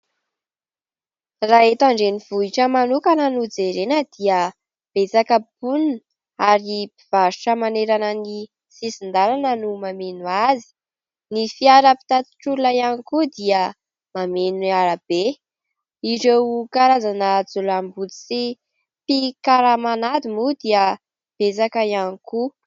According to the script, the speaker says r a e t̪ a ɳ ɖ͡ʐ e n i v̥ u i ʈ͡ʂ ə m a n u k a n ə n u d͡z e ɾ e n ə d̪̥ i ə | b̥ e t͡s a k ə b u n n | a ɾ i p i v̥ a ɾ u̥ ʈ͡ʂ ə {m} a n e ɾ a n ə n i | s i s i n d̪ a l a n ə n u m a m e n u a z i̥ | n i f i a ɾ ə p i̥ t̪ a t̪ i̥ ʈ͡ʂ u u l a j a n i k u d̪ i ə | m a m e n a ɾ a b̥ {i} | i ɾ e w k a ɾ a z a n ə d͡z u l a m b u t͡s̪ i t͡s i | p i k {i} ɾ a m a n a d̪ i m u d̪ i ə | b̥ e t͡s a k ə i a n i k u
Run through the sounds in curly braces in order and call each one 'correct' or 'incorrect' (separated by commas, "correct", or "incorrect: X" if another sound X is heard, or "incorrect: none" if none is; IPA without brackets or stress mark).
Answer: correct, incorrect: e, incorrect: a